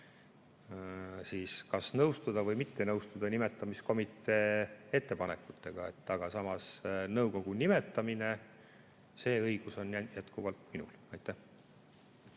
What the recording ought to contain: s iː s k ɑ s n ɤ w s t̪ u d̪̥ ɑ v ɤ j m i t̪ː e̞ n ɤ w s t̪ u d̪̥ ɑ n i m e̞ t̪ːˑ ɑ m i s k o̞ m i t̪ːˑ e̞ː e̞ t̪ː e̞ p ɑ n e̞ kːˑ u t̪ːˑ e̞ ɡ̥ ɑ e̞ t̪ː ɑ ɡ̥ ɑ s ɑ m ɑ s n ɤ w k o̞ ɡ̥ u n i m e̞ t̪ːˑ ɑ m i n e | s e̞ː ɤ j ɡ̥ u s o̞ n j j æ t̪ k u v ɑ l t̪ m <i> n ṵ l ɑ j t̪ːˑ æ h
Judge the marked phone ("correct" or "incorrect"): correct